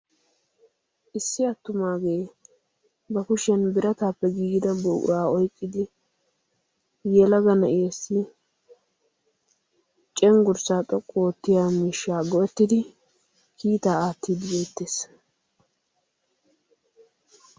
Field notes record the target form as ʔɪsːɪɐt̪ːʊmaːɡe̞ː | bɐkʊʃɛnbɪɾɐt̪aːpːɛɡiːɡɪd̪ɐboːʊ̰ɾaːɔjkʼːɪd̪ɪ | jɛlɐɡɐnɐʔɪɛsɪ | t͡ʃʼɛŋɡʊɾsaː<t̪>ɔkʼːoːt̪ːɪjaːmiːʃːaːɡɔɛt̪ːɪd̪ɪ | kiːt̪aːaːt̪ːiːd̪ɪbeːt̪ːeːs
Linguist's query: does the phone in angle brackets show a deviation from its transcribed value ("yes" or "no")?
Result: yes